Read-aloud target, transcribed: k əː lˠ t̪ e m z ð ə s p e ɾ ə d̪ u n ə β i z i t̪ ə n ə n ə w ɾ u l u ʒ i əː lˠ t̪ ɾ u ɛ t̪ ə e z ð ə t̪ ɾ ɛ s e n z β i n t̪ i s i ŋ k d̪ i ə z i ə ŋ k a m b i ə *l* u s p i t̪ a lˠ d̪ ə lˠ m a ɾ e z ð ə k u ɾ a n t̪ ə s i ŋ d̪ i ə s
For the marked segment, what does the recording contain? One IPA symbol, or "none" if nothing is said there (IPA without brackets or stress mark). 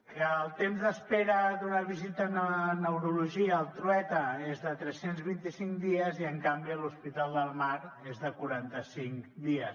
l